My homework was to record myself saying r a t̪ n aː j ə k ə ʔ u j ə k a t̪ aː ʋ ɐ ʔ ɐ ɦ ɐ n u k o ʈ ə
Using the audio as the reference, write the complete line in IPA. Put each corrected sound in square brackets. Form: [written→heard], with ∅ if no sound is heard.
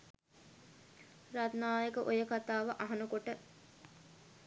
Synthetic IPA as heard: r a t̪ n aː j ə k ə ʔ [u→o] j ə k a t̪ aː ʋ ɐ ʔ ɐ ɦ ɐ n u k o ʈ ə